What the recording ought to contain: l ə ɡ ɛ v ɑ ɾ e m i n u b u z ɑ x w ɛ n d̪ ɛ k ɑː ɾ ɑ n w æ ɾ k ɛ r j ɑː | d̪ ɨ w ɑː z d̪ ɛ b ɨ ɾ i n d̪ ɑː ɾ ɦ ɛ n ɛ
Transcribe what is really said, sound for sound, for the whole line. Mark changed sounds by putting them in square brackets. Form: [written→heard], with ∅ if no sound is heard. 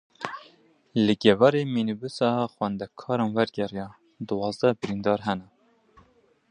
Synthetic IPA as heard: l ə ɡ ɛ v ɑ ɾ e m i n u b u [z→s] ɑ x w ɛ n d̪ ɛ [k→kʰ] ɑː ɾ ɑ n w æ ɾ [k→ɡ] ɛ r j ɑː | d̪ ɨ w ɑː z d̪ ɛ b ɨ ɾ i n d̪ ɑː ɾ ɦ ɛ n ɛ